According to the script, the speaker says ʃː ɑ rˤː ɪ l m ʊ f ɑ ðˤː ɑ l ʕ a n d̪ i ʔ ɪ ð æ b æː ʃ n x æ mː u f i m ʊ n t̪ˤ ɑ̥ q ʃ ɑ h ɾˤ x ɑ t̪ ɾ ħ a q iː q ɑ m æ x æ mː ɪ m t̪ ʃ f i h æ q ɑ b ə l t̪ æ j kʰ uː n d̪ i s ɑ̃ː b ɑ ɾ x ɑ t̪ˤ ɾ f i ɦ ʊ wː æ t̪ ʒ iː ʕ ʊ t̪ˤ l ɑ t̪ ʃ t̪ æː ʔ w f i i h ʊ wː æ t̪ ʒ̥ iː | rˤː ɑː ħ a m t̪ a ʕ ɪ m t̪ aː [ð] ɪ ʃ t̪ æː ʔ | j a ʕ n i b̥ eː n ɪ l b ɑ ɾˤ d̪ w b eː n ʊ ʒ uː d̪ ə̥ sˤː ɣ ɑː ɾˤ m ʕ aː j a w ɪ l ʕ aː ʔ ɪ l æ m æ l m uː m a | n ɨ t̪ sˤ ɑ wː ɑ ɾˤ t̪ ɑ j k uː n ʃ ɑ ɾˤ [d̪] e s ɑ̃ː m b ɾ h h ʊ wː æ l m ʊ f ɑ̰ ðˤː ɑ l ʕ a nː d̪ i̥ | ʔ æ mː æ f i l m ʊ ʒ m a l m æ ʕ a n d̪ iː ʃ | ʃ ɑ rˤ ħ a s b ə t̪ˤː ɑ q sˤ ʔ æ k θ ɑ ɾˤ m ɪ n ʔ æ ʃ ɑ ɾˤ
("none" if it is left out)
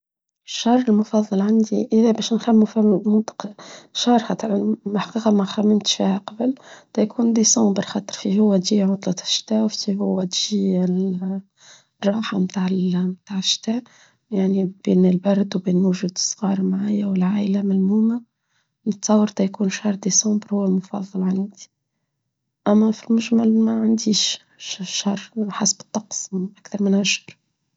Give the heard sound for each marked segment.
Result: ʕ, d̪

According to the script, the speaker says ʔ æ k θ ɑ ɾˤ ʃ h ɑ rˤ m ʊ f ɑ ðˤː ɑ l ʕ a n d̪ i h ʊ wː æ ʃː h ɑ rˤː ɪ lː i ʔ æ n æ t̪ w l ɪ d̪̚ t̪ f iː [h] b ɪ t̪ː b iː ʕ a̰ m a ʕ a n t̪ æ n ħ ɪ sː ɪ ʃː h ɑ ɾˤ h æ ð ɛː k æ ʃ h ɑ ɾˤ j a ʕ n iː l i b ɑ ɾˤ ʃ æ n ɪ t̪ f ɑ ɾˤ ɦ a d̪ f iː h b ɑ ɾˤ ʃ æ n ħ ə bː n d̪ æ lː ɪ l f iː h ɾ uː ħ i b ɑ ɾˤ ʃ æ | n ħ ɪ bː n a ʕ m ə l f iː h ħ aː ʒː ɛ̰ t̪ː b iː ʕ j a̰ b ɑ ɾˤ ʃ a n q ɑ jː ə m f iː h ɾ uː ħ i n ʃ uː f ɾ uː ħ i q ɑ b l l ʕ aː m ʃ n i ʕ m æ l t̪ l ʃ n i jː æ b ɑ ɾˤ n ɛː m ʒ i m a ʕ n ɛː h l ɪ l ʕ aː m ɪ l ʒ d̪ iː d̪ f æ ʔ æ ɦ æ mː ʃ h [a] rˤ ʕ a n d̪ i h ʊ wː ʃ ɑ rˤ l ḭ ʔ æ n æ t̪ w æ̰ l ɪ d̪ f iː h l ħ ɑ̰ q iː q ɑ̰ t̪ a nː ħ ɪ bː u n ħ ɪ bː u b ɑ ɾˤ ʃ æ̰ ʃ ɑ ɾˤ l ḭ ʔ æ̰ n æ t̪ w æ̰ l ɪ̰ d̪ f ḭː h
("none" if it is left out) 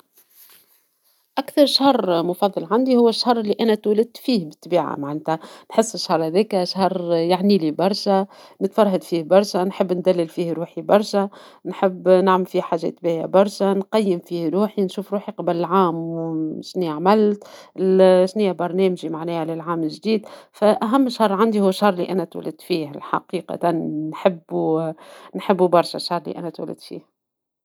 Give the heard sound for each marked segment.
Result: h, ɑ

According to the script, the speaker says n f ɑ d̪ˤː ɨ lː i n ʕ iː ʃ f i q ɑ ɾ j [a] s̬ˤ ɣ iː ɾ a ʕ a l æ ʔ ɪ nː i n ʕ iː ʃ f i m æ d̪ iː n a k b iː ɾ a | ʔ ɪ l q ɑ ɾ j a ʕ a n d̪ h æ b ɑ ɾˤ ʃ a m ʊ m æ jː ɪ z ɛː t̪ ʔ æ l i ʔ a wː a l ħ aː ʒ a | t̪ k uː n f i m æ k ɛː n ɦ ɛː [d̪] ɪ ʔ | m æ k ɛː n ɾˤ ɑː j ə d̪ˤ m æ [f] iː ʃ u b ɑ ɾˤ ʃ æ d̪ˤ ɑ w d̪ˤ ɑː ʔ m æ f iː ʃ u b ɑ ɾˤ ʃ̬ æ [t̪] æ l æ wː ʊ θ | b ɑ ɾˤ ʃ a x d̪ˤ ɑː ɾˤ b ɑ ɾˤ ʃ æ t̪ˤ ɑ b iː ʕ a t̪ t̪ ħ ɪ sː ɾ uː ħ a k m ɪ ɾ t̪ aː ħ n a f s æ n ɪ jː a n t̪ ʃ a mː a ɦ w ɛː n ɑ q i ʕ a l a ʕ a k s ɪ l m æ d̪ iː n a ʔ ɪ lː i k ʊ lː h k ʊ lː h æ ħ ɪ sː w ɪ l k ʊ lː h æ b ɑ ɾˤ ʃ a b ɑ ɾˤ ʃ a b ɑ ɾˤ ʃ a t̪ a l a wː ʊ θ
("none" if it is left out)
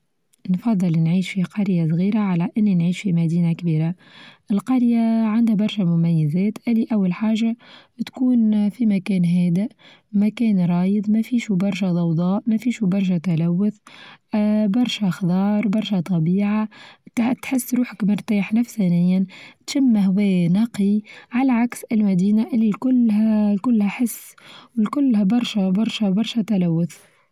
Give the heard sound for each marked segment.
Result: a, d̪, f, t̪

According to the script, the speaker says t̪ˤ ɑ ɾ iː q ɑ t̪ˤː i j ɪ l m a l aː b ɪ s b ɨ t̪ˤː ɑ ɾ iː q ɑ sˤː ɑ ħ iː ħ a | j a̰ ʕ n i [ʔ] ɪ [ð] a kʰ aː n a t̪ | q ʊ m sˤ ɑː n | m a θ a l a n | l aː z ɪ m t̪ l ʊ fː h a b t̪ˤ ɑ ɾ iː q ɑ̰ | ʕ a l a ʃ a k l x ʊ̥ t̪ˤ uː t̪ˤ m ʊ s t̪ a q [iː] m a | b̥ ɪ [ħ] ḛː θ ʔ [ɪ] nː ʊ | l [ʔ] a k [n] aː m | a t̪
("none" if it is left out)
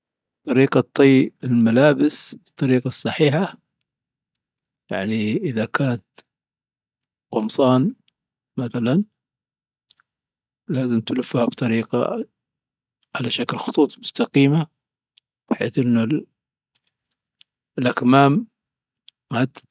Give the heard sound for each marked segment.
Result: ʔ, ð, iː, ħ, ɪ, ʔ, m

